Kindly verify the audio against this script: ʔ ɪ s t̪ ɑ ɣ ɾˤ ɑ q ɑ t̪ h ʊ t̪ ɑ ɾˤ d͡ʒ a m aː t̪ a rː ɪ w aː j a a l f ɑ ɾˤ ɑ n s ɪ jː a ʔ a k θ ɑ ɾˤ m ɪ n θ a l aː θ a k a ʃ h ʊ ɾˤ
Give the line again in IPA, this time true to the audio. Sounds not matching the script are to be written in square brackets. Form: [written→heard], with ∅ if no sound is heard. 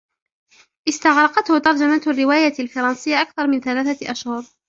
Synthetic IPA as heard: ʔ ɪ s t̪ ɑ ɣ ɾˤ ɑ q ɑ t̪ h ʊ t̪ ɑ ɾˤ d͡ʒ a m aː t̪ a rː ɪ w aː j a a l f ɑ ɾˤ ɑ n s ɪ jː a ʔ a k θ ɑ ɾˤ m ɪ n θ a l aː θ a [k→ʔ] a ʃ h ʊ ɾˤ